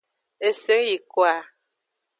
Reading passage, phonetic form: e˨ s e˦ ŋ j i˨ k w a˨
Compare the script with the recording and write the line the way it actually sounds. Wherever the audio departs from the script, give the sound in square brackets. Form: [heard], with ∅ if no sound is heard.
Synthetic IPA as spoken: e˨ s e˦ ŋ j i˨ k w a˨